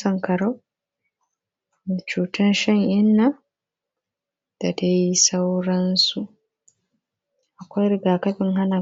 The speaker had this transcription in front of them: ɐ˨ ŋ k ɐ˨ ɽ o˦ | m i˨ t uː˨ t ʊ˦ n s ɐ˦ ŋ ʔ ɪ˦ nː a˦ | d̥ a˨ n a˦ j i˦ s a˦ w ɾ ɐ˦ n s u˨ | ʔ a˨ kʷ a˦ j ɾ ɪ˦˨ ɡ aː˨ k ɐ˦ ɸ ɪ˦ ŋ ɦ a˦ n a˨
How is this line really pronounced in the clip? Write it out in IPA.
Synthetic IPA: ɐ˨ ŋ k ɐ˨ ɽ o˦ | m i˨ t͡ʃ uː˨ t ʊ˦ n ʃ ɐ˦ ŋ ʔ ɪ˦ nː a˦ | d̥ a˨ d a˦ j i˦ s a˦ w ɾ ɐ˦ n s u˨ | ʔ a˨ kʷ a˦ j ɾ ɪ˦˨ ɡ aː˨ k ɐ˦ ɸ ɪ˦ ŋ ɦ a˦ n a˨